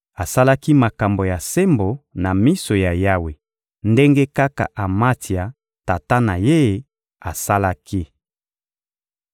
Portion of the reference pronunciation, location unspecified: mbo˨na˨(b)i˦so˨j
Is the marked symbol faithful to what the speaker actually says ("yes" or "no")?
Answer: no